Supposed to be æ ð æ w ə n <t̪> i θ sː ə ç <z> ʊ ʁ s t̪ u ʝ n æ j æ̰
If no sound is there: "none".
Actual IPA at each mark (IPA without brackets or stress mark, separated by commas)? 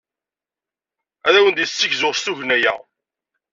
d̪, z